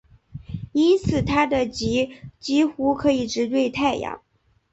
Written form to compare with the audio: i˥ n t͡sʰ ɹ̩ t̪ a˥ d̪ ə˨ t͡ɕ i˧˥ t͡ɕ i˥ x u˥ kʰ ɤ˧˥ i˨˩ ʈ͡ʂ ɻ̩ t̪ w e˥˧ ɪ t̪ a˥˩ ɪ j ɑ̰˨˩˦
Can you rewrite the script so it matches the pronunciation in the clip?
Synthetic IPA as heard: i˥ n t͡sʰ ɹ̩ t̪ʰ a˥ d̪ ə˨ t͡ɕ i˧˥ t͡ɕ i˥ x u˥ kʰ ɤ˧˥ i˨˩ ʈ͡ʂ ɻ̩ t̪ w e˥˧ ɪ t̪ʰ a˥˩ ɪ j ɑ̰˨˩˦